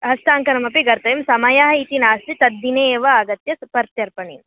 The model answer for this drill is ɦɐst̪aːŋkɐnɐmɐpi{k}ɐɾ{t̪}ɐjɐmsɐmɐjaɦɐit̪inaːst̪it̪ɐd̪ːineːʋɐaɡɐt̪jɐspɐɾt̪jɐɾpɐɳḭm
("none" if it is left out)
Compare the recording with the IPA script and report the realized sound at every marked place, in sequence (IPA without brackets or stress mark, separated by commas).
ɡ, t̪